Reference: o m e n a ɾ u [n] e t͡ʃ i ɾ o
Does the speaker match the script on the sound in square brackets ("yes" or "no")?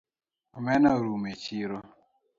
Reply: no